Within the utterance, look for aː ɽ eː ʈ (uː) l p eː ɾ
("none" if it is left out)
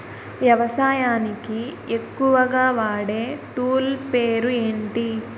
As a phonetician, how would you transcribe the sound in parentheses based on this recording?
uː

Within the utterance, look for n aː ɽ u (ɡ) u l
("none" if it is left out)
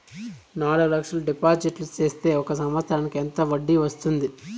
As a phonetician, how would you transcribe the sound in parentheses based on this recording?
ɡ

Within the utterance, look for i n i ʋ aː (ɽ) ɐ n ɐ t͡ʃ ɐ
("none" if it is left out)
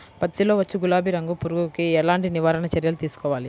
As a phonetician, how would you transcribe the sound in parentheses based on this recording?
ɾ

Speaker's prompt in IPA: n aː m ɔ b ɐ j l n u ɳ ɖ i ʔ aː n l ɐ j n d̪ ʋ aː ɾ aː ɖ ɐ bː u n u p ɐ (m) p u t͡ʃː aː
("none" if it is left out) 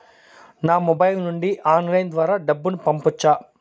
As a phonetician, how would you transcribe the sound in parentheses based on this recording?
m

